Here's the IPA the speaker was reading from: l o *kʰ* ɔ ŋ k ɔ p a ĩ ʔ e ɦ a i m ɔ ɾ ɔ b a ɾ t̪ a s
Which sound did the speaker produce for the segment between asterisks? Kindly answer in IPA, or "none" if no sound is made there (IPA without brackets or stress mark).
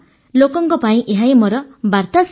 k